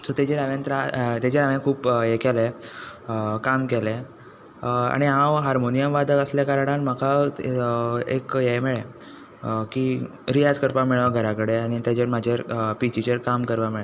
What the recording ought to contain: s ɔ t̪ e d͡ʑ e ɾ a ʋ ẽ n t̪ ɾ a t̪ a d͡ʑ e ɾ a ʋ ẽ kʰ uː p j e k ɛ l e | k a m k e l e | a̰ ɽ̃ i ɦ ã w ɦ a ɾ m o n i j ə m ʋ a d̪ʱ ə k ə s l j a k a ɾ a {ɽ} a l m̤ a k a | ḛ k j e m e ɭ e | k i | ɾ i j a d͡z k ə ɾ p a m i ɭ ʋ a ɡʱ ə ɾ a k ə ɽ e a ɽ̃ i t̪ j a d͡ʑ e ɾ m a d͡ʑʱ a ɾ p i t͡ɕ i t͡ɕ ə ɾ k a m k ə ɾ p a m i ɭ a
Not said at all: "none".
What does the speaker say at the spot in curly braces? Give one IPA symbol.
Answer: ɽ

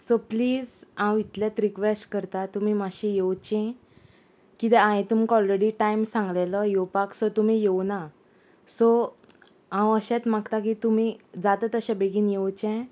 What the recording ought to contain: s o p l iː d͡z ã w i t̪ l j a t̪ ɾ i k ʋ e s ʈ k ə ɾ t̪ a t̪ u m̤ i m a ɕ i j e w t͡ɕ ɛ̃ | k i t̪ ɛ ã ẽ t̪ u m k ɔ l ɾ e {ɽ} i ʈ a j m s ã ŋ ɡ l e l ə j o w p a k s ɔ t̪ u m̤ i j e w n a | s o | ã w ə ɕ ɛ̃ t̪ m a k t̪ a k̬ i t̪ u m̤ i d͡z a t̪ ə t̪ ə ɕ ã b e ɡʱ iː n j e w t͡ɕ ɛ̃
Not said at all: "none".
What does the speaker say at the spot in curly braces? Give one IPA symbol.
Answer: ɽ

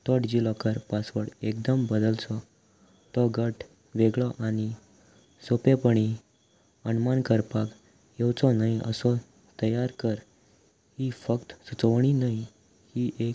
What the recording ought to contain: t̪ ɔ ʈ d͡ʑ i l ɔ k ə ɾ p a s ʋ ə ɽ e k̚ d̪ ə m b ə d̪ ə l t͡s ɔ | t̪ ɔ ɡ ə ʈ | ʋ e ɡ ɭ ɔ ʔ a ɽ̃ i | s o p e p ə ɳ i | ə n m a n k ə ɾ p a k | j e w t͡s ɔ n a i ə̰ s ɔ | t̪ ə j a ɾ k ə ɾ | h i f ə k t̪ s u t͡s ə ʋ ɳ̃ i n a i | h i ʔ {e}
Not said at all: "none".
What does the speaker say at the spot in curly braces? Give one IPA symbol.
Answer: e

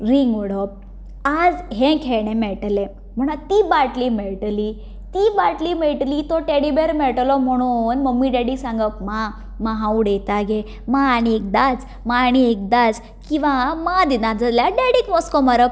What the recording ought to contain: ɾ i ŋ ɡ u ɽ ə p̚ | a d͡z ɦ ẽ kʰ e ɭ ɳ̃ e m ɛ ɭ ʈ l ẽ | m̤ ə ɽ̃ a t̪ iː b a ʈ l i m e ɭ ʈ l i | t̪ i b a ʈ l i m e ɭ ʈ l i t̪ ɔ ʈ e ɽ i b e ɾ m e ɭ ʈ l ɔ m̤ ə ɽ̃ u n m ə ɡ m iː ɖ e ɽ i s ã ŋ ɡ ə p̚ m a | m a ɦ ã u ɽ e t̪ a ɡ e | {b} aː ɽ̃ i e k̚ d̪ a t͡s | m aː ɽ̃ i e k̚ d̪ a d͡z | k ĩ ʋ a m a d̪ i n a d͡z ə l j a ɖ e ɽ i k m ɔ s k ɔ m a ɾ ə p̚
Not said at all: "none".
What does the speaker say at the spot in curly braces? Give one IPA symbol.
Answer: m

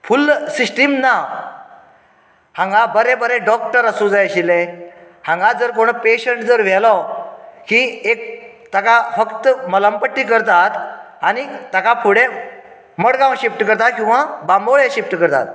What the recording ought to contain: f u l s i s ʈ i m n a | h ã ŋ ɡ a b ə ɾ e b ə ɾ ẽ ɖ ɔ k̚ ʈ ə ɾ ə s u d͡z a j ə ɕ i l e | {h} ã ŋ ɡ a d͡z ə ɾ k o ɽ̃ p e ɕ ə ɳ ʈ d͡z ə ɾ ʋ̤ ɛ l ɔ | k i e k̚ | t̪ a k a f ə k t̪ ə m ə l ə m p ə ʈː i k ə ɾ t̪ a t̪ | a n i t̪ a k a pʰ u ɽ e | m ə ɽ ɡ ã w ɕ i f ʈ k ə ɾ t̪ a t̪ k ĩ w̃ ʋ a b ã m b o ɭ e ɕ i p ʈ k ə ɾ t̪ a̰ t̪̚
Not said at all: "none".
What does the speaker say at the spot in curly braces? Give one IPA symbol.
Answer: h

